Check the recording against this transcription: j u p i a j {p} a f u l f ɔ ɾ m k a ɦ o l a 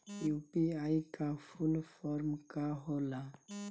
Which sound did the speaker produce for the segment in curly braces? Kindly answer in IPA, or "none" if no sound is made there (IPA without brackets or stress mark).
k